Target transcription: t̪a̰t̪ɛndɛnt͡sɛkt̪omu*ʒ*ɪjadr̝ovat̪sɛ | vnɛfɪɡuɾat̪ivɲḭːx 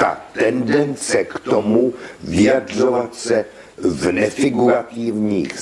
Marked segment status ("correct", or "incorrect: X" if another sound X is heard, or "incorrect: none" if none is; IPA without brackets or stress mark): incorrect: v